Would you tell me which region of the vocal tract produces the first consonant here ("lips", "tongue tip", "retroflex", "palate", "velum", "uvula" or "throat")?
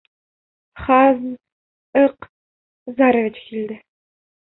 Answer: uvula